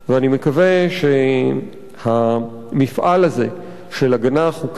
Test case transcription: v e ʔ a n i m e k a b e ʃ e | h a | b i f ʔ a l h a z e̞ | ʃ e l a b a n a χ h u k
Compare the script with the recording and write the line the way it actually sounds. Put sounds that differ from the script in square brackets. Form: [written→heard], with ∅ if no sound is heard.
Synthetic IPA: v e [ʔ→∅] a n i m e k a [b→v] e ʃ e | h a | [b→m] i f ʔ a l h a z e̞ | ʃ e l a [b→ɡ] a n a χ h u k